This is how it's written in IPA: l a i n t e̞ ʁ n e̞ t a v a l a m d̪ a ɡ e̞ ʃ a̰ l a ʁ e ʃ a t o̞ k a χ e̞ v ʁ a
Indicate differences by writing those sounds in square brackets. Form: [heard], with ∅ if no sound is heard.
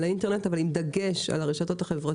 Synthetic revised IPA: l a i n t e̞ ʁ n e̞ t a v a l [i] m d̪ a ɡ e̞ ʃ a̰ l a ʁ e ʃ a t o̞ [t] a χ e̞ v ʁ a